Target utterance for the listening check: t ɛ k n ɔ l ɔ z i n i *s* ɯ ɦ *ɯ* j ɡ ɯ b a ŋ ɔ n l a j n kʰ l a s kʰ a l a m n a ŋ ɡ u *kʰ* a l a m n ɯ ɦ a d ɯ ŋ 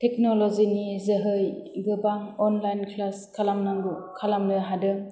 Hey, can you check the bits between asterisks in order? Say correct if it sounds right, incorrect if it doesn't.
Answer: incorrect, correct, correct

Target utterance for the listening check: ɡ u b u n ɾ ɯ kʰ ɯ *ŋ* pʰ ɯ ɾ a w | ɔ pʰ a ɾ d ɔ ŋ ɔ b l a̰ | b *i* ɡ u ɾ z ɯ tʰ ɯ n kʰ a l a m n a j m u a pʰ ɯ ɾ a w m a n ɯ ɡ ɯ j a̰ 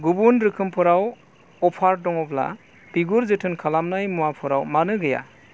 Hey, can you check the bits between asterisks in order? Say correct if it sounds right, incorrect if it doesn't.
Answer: incorrect, correct

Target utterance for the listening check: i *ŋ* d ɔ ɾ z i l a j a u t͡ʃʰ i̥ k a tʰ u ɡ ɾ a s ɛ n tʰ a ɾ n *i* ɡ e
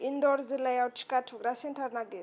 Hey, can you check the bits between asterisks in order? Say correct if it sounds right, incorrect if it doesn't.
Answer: incorrect, incorrect

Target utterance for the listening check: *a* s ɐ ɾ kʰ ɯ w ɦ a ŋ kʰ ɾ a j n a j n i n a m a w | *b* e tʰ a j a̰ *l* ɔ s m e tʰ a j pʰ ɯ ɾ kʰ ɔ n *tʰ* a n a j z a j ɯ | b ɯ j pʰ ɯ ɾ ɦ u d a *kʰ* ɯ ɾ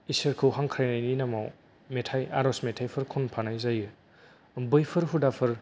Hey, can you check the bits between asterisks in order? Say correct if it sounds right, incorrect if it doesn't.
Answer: incorrect, incorrect, incorrect, incorrect, incorrect

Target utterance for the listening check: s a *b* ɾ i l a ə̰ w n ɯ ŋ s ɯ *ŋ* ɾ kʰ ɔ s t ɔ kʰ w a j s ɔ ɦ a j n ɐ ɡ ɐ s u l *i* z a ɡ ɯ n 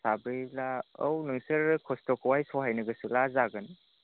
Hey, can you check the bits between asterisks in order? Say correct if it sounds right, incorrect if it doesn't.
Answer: correct, incorrect, incorrect

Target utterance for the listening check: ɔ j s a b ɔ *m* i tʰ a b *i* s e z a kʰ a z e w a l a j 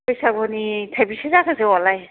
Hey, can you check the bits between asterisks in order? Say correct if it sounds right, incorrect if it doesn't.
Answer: incorrect, correct

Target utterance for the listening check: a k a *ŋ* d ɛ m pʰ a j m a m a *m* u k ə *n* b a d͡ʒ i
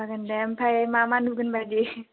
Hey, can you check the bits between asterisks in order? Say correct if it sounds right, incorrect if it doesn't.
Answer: incorrect, incorrect, correct

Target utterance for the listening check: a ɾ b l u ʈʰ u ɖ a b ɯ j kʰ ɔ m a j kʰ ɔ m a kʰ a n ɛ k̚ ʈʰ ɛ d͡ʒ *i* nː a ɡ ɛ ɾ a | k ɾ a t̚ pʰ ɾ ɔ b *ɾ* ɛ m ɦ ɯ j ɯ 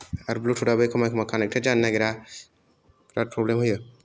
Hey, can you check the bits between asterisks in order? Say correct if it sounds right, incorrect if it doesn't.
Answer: incorrect, incorrect

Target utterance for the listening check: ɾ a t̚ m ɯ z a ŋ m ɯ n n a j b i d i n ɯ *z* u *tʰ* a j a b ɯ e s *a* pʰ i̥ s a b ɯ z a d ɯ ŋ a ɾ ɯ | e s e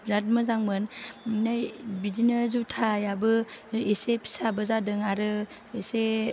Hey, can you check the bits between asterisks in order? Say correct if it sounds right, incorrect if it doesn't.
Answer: correct, correct, incorrect

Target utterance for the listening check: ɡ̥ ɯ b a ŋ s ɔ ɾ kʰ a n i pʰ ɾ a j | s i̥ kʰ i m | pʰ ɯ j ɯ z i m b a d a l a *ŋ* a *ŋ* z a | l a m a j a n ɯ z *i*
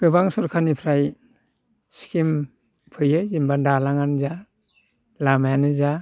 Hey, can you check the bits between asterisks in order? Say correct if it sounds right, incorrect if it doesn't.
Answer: correct, incorrect, incorrect

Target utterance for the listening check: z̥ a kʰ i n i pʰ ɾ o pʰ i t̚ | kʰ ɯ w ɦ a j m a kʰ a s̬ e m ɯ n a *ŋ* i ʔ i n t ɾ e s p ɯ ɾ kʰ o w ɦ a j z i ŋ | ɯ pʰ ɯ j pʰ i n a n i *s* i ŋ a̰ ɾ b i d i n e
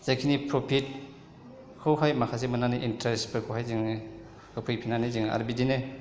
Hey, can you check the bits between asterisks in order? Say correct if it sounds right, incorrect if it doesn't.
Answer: incorrect, incorrect

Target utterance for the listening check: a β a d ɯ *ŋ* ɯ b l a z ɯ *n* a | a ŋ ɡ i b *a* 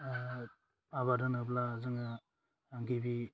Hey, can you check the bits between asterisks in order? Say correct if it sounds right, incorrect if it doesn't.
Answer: incorrect, incorrect, incorrect

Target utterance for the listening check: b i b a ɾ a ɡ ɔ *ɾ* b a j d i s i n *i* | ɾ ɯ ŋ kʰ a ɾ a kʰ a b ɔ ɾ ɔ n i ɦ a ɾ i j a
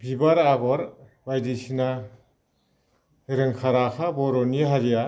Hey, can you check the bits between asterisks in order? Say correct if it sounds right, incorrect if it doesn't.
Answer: correct, incorrect

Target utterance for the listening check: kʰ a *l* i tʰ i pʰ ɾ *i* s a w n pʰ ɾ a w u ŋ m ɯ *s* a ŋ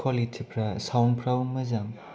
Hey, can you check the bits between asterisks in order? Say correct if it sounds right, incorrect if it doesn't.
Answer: correct, incorrect, incorrect

